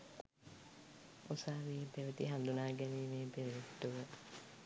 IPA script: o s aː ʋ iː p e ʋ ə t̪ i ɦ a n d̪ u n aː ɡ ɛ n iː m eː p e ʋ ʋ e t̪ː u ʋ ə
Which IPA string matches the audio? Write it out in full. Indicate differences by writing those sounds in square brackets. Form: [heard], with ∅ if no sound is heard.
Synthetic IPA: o s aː ʋ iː p e ʋ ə t̪ i ɦ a n d̪ u n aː ɡ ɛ n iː m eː p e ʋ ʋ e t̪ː u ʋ ə